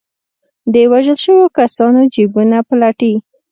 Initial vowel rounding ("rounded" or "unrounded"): unrounded